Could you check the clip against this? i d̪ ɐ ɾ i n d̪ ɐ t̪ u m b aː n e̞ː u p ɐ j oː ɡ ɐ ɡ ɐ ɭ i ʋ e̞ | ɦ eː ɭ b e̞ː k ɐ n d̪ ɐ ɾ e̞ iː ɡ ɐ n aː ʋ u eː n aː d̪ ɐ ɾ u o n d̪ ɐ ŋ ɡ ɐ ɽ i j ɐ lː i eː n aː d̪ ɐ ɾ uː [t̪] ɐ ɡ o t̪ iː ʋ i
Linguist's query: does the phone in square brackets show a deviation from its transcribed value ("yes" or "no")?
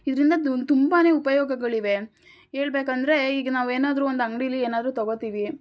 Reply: no